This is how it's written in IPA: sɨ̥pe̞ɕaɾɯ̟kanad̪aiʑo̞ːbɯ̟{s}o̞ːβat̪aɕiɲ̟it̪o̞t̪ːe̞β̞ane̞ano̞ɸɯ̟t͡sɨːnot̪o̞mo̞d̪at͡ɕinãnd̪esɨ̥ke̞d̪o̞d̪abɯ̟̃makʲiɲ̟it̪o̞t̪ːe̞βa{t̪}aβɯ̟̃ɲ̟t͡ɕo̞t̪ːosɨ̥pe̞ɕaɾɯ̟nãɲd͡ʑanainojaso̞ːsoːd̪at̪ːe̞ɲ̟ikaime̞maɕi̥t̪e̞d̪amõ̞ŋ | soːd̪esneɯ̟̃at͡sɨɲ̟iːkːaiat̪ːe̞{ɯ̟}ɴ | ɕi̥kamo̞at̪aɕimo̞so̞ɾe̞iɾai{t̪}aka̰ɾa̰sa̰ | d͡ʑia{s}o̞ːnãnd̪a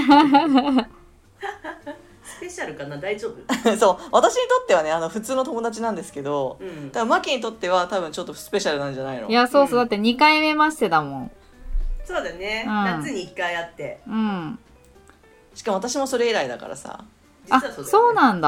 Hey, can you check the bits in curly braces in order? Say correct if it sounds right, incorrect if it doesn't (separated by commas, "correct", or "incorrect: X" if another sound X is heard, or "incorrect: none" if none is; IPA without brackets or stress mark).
correct, correct, incorrect: ɯ̟̃, incorrect: d̪, correct